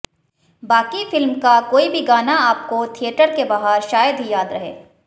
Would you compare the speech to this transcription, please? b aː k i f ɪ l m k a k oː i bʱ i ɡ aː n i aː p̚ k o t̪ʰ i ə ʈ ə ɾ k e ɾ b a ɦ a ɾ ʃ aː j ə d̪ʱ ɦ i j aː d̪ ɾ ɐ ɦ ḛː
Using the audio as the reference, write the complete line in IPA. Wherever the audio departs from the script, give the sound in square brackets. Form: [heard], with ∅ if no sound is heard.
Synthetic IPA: b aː k i f ɪ l m k a k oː i bʱ i ɡ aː n [a] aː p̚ k o t̪ʰ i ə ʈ ə ɾ k e [∅] b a ɦ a ɾ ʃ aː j ə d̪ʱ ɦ i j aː d̪ ɾ ɐ ɦ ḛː